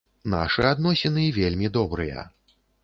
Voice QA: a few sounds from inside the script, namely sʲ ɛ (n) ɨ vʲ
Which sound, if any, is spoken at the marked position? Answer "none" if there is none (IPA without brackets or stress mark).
n